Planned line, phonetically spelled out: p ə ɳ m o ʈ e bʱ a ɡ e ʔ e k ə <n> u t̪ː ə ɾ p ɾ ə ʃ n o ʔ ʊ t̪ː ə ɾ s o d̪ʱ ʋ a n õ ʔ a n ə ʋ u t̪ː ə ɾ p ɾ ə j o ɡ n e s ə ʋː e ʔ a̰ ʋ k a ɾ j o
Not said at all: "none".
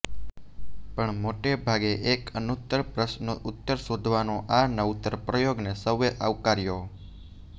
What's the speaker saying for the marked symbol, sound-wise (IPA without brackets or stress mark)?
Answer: n